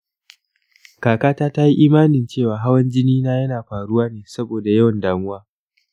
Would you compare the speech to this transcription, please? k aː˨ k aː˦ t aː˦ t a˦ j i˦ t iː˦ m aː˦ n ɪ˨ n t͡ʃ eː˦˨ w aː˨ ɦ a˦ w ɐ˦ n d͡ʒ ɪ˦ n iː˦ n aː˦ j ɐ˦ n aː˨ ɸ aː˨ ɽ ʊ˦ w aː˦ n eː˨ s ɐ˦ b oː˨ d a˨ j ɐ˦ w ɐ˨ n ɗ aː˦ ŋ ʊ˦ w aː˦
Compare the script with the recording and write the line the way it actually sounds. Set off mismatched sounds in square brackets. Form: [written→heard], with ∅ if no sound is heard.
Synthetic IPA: k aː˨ k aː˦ t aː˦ t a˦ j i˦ [t→ʔ] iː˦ m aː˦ n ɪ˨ n t͡ʃ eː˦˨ w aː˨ ɦ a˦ w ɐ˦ n d͡ʒ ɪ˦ n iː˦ n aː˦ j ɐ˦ n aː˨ ɸ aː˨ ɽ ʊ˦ w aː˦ n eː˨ s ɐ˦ b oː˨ d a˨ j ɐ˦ w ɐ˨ n [ɗ→d] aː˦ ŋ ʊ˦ w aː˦

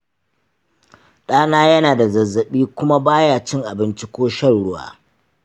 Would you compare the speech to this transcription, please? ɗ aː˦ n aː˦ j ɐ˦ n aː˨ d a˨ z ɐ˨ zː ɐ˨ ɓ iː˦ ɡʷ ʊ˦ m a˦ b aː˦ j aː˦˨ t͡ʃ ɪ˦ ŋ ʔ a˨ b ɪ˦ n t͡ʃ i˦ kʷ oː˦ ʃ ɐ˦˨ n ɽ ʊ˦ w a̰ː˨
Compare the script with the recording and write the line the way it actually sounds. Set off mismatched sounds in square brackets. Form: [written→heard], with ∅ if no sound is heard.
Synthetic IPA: ɗ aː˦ n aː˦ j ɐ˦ n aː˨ d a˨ z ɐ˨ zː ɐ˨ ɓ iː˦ [ɡʷ→kʷ] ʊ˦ m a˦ b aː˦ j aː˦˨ t͡ʃ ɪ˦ ŋ ʔ a˨ b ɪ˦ n t͡ʃ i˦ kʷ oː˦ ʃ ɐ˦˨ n ɽ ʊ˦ w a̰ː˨

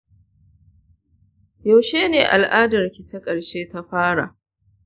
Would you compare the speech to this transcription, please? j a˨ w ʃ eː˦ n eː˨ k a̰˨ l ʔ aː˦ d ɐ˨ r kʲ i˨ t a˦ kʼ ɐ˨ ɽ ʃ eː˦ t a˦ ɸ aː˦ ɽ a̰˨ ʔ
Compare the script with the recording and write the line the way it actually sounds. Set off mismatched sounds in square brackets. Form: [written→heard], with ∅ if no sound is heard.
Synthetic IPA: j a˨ w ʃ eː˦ n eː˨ [k→ʔ] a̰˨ l ʔ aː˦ d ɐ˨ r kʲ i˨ t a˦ kʼ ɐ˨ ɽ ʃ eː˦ t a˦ ɸ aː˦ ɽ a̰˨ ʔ

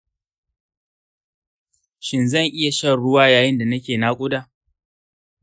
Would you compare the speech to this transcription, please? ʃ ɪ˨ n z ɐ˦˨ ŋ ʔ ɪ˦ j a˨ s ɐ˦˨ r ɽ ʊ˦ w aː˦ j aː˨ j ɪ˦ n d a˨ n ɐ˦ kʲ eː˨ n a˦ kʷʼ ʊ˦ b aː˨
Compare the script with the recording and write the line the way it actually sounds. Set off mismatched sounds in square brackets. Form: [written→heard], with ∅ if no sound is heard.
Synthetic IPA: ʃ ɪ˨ n z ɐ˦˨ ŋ ʔ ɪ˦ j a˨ [s→ʃ] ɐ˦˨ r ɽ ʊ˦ w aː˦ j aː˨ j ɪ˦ n d a˨ n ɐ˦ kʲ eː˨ n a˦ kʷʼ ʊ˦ [b→d] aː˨

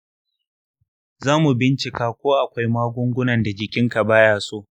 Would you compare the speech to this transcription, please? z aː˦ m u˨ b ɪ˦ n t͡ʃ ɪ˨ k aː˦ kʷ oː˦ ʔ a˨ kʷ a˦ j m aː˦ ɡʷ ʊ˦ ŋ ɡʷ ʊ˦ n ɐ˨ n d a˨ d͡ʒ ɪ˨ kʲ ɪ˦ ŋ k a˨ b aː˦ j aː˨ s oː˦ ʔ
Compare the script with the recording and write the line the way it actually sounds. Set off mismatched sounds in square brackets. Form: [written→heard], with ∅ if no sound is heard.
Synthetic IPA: z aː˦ m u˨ b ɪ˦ n t͡ʃ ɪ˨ k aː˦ kʷ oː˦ ʔ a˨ kʷ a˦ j m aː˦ ɡʷ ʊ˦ ŋ ɡʷ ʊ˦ n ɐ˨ n d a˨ d͡ʒ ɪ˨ kʲ ɪ˦ ŋ k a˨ b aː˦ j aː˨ s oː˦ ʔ

